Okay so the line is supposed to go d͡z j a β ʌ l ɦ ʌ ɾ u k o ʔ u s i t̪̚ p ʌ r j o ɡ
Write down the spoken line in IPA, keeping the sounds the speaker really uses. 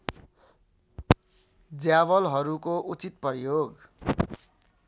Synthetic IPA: d͡z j a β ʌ l ɦ ʌ ɾ u k o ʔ u t͡s i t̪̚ p ʌ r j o ɡ